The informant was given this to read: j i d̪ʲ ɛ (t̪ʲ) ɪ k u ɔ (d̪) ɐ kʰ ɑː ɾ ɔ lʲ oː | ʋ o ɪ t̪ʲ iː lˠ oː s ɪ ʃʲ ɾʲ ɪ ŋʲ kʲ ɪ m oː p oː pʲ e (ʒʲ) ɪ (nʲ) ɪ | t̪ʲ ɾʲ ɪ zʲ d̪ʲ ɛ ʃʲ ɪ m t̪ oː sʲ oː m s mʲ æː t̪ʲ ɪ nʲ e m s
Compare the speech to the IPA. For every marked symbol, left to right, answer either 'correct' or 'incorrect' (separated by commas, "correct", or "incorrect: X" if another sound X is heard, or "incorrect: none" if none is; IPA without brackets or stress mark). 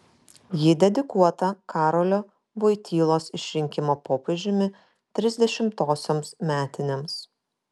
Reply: incorrect: d̪ʲ, incorrect: t̪, correct, incorrect: mʲ